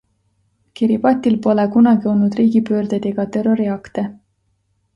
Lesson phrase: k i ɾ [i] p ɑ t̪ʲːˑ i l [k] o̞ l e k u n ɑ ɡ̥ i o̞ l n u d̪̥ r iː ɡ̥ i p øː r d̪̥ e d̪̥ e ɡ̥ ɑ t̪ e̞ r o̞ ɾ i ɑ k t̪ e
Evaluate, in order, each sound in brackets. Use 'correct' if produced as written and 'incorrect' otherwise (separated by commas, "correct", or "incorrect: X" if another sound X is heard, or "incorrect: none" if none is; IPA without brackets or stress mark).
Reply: correct, incorrect: p